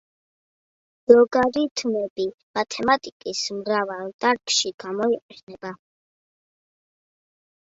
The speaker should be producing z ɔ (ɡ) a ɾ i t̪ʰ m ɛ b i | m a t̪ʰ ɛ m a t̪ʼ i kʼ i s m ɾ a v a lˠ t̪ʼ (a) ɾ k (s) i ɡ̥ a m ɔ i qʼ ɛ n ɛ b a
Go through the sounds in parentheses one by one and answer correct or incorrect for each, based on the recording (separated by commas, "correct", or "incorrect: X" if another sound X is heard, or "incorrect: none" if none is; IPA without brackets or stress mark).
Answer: correct, correct, incorrect: ʃ